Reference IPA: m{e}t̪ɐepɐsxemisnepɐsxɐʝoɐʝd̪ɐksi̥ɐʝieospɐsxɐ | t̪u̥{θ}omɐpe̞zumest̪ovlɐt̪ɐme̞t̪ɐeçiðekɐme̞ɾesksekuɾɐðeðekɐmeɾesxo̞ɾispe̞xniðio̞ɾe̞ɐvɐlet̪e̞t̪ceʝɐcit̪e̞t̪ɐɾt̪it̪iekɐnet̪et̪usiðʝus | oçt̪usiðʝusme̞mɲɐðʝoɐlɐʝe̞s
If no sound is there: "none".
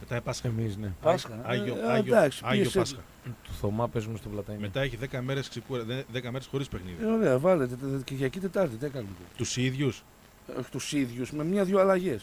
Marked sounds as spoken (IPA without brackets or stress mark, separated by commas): e, θ